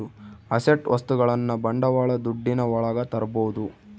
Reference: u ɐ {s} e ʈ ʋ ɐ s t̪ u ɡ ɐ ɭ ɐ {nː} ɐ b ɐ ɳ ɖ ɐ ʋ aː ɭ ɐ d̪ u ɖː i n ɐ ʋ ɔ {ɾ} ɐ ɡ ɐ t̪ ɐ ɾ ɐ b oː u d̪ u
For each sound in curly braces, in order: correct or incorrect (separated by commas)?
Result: correct, correct, incorrect